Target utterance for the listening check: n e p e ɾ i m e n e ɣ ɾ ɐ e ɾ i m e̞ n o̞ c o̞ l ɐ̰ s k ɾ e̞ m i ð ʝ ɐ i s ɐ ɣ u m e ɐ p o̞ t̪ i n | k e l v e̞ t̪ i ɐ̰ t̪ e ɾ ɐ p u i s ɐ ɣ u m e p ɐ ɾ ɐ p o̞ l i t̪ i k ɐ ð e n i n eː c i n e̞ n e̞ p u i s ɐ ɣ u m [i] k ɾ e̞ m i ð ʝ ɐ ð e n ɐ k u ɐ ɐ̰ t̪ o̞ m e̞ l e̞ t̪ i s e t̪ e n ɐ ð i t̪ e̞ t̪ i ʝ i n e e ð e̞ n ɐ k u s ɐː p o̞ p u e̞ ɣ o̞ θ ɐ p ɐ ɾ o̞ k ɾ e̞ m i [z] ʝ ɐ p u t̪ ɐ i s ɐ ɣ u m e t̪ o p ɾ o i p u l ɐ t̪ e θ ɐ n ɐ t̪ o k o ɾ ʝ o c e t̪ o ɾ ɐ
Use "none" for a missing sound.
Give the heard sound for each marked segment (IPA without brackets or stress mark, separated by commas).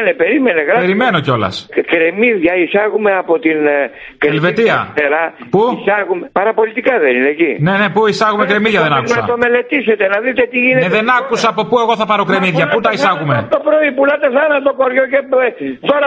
e, ð